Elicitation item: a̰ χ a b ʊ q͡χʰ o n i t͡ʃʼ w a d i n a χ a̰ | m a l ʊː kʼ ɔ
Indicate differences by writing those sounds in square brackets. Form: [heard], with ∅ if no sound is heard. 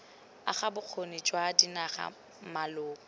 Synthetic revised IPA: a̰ χ a b ʊ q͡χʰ o n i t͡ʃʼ w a d i n a χ a̰ | m a l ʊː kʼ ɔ